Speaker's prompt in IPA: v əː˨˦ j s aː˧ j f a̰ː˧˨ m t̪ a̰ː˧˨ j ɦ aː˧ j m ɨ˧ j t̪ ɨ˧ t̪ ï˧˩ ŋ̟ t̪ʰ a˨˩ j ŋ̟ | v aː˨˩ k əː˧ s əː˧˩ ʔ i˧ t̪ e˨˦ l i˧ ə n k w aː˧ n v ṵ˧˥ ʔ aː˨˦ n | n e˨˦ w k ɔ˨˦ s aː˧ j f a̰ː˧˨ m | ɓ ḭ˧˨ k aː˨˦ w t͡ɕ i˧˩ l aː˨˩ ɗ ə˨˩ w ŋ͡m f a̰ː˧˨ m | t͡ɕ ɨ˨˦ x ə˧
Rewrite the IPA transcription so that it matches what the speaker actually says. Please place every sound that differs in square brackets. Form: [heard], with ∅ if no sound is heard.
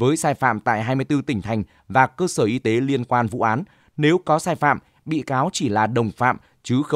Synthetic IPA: v əː˨˦ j s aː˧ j f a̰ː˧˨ m t̪ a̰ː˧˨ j ɦ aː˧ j m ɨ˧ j t̪ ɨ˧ t̪ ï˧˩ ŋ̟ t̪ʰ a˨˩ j ŋ̟ | v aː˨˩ k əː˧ s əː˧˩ ʔ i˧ t̪ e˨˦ l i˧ ə n k w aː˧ n v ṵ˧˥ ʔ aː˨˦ n | n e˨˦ w k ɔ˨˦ s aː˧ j f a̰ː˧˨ m | ɓ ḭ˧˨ k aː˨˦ w t͡ɕ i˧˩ l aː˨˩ ɗ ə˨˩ w ŋ͡m f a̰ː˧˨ m | t͡ɕ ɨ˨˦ x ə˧